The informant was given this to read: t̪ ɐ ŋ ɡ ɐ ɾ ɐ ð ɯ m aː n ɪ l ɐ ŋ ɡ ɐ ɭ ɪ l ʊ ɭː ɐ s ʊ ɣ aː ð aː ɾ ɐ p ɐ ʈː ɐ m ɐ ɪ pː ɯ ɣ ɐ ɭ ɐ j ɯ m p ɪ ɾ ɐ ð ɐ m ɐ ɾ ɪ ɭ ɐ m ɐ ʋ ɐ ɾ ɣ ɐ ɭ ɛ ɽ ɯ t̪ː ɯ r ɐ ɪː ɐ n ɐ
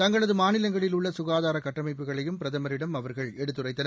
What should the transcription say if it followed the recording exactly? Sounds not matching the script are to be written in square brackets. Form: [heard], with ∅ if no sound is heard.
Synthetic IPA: t̪ ɐ ŋ ɡ ɐ [ɭ] ɐ ð ɯ m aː n ɪ l ɐ ŋ ɡ ɐ ɭ ɪ l ʊ ɭː ɐ s ʊ ɣ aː ð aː ɾ ɐ [k] ɐ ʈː ɐ m ɐ ɪ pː ɯ ɣ ɐ ɭ ɐ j ɯ m p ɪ ɾ ɐ ð ɐ m ɐ ɾ ɪ [ɽ] ɐ m ɐ ʋ ɐ ɾ ɣ ɐ ɭ ɛ ɽ ɯ t̪ː ɯ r ɐ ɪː ɐ n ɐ